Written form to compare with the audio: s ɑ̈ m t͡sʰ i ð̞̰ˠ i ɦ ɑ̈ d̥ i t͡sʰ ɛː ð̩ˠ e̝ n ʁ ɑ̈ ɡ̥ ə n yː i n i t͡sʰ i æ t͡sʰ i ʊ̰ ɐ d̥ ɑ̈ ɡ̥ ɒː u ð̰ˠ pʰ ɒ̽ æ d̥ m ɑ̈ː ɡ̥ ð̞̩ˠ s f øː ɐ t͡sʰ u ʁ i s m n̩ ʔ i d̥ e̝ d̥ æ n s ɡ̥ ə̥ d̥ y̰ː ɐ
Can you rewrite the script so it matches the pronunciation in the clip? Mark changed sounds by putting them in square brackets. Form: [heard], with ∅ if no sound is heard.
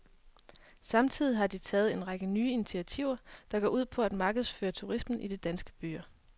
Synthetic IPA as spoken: s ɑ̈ m t͡sʰ i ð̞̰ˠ i ɦ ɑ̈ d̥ i t͡sʰ ɛː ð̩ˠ e̝ n ʁ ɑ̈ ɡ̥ ə n yː i n i t͡sʰ i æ t͡sʰ i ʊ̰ ɐ d̥ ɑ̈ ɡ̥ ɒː u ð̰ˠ pʰ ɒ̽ æ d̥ m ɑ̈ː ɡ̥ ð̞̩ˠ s f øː ɐ t͡sʰ u ʁ i s m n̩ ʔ i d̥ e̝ d̥ æ n s ɡ̥ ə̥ [b̥] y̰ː ɐ